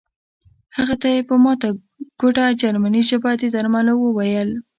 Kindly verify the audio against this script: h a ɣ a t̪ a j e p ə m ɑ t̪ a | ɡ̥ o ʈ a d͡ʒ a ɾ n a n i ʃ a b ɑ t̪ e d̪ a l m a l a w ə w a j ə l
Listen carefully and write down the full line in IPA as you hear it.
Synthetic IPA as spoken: h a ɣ a t̪ a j e p ə m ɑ t̪ a | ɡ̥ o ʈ a d͡ʒ a ɾ m a n i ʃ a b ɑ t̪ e d̪ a ɾ m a l a w ə w a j ə l